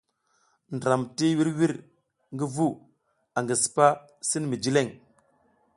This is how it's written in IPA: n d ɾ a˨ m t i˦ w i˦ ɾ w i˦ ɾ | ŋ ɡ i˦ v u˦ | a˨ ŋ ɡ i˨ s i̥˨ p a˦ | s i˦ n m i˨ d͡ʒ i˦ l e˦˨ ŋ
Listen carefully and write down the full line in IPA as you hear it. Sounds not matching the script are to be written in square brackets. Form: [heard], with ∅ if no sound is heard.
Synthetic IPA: n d ɾ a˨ m t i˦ w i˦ ɾ w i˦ ɾ | ŋ ɡ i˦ v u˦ | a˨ ŋ ɡ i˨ s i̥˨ p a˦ | s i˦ n m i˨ d͡ʒ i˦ l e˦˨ ŋ